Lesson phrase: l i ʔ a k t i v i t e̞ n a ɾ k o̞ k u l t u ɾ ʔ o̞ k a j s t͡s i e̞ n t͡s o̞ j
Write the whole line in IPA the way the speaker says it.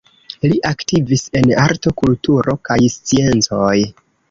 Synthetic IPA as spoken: l i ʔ a k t i v i s e̞ n a ɾ t o̞ k u l t u ɾ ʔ o̞ k a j s t͡s i e̞ n t͡s o̞ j